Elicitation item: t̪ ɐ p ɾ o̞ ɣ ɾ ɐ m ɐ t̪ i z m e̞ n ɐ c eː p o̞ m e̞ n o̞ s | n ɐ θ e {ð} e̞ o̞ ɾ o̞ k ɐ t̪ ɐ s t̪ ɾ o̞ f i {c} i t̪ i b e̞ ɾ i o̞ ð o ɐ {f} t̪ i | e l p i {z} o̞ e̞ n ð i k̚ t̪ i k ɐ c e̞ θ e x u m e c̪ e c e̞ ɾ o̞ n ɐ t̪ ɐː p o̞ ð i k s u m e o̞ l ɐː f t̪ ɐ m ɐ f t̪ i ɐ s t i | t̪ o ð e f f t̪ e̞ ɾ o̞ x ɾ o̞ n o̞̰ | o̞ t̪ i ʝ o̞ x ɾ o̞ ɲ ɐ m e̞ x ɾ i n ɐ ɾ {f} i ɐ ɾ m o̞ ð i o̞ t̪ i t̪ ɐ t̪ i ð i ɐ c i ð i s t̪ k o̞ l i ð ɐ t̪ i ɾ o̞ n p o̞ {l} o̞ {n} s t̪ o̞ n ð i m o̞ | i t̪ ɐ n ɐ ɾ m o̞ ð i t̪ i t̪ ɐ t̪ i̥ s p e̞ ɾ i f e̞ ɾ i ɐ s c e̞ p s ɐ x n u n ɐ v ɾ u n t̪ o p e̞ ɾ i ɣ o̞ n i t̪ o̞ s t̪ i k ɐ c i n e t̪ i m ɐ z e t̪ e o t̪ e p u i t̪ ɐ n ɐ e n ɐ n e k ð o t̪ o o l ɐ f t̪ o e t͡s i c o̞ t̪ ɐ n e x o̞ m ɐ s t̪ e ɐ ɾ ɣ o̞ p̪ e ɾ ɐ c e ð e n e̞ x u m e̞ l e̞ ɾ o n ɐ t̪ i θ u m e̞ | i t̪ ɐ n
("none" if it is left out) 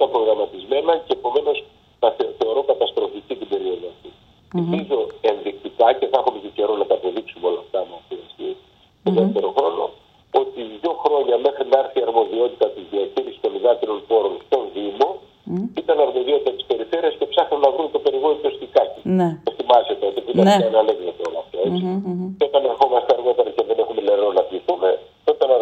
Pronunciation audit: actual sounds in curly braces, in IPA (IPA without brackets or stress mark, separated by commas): θ, c, f, z, θ, ɾ, n